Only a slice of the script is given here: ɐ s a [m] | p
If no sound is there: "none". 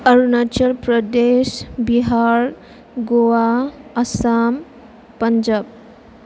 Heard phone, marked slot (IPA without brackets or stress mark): m